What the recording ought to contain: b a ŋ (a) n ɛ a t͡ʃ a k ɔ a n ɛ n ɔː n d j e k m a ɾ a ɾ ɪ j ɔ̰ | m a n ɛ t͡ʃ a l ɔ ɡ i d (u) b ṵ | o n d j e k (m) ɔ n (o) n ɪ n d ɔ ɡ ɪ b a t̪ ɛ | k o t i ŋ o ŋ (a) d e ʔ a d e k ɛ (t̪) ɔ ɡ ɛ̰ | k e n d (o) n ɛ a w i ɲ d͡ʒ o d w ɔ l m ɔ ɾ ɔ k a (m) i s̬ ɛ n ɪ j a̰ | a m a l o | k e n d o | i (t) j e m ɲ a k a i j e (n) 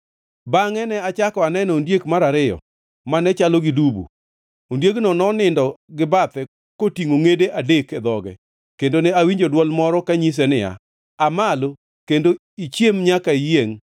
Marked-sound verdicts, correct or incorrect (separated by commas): incorrect, correct, incorrect, incorrect, incorrect, incorrect, correct, incorrect, incorrect, incorrect